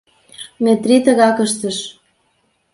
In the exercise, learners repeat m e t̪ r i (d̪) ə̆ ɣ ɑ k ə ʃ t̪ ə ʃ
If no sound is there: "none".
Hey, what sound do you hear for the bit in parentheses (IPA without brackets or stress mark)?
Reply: t̪